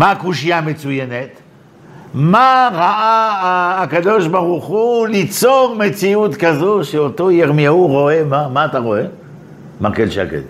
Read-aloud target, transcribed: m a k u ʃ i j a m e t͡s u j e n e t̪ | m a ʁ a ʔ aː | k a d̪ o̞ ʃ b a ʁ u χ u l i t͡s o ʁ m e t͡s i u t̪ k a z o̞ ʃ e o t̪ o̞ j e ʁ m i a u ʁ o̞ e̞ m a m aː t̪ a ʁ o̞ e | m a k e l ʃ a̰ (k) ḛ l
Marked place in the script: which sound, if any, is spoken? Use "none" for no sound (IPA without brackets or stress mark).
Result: k